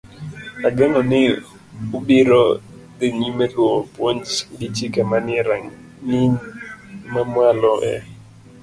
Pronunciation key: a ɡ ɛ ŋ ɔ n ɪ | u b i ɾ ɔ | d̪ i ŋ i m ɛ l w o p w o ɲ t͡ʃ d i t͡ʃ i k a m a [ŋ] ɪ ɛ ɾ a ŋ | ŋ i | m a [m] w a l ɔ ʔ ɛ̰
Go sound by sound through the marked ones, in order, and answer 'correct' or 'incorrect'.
incorrect, correct

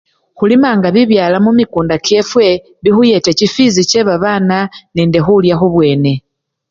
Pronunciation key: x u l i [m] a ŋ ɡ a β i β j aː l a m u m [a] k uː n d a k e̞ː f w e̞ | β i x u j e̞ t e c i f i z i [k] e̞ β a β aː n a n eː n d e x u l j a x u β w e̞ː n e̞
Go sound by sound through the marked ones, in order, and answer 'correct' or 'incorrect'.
correct, incorrect, incorrect

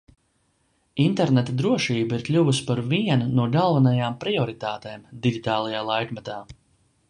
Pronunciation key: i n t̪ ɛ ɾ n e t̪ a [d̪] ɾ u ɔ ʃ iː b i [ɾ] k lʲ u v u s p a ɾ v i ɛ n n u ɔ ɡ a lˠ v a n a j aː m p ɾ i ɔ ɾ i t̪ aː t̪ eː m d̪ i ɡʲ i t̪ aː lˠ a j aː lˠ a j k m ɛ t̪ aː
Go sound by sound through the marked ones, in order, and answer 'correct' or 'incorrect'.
correct, correct

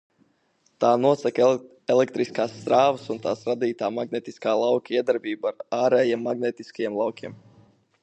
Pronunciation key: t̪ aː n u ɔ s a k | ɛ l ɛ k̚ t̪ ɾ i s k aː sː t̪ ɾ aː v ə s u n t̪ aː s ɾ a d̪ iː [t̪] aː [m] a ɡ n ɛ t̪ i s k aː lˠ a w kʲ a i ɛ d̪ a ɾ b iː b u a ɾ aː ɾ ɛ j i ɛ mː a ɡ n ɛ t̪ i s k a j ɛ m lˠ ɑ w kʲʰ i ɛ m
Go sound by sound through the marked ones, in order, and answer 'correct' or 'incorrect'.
correct, correct

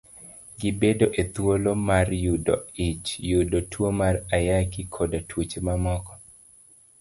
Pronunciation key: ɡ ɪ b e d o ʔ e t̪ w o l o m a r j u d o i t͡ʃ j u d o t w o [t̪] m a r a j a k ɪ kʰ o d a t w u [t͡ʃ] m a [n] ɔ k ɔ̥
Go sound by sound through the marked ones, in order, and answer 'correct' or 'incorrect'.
incorrect, correct, incorrect

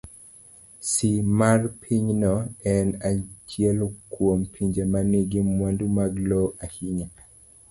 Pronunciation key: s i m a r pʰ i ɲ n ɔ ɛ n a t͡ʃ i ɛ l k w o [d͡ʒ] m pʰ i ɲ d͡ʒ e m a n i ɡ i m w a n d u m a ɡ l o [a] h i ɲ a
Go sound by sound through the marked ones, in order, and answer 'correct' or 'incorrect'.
incorrect, correct

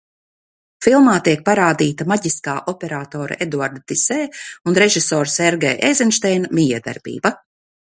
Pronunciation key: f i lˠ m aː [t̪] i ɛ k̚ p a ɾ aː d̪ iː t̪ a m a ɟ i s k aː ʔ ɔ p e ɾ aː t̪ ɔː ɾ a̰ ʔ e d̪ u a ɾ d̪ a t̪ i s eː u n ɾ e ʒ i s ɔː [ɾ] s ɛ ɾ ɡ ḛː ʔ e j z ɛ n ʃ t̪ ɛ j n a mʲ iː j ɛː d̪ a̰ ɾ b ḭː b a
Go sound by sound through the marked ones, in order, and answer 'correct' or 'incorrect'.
correct, correct

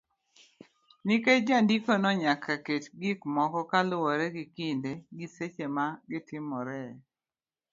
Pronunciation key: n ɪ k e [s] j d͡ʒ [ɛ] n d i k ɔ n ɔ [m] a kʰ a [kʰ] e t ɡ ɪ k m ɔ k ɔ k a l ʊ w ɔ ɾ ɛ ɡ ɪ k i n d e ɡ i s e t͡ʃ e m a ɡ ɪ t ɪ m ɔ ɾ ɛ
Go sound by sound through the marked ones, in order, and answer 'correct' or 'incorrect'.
incorrect, incorrect, incorrect, incorrect

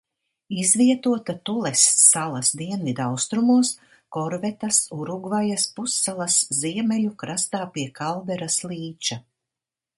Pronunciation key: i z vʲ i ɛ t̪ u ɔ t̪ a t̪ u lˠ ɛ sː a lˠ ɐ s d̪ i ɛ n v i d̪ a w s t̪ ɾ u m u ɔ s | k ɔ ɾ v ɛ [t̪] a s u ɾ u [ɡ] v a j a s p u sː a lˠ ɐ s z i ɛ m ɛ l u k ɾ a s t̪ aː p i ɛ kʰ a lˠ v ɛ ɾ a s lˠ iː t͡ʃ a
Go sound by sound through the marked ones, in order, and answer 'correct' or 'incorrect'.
correct, correct

